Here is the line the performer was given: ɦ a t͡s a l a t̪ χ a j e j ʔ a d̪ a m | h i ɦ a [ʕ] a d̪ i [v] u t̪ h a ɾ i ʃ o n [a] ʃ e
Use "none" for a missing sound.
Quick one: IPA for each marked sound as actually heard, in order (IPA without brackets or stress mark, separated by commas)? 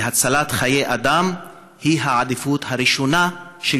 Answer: ʕ, f, a